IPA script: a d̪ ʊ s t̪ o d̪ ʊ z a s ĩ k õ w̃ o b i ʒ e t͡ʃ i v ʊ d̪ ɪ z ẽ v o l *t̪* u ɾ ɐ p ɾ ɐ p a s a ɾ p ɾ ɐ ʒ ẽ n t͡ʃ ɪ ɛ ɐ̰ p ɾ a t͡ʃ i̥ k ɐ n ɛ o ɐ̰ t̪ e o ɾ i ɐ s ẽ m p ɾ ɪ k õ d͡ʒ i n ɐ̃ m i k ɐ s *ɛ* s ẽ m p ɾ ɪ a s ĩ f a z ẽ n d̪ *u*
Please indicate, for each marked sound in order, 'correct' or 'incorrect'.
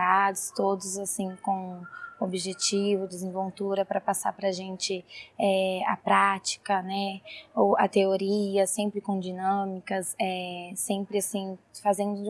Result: correct, correct, incorrect: ʊ

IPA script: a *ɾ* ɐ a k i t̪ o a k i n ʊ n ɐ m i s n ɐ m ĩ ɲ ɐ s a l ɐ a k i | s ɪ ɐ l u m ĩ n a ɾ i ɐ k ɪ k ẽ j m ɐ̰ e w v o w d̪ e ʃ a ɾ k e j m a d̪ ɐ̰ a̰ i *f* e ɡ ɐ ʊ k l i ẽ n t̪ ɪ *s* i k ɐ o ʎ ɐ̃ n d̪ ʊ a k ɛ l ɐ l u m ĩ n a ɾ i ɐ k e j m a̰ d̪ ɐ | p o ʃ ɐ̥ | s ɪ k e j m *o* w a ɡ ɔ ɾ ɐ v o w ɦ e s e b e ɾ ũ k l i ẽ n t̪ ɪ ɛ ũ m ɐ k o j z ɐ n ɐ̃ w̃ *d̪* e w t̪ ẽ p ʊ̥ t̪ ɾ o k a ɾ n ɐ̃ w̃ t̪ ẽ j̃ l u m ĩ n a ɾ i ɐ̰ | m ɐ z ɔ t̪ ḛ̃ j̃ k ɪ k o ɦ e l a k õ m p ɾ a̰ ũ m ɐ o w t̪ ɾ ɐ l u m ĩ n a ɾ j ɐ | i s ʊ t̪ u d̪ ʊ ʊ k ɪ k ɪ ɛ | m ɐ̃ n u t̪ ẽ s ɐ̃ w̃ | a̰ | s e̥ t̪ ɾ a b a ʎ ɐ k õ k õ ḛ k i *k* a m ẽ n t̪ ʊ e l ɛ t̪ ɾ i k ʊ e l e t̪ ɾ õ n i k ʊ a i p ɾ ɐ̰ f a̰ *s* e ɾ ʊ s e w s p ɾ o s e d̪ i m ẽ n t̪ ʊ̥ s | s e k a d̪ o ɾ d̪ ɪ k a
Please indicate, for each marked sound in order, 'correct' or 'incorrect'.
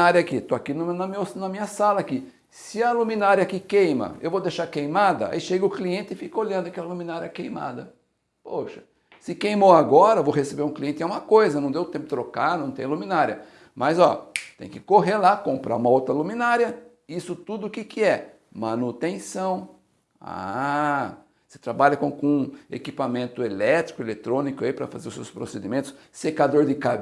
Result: correct, incorrect: ʃ, incorrect: f, correct, correct, incorrect: p, incorrect: z

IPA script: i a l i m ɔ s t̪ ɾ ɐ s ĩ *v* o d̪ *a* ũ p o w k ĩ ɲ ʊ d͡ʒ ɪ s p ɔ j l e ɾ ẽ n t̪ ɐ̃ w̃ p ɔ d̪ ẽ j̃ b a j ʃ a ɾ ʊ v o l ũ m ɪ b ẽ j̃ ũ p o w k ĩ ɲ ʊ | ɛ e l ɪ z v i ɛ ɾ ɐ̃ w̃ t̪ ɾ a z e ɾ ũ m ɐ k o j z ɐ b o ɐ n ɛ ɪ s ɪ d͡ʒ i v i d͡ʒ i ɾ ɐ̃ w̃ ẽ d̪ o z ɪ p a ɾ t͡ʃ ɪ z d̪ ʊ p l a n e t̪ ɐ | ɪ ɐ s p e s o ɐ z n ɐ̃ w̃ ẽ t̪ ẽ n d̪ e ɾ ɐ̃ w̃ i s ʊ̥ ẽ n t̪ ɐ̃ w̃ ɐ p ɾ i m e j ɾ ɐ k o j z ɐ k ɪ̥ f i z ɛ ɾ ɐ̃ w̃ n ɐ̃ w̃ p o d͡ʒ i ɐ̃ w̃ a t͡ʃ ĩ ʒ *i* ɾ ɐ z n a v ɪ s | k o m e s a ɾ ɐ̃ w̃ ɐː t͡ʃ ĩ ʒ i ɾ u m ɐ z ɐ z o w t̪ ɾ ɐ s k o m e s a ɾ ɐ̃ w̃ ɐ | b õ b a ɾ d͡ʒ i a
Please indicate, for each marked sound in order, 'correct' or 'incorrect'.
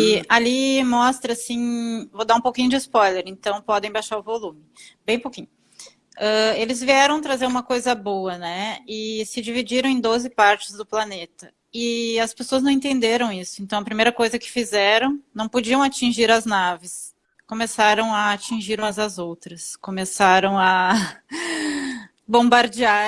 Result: correct, correct, correct

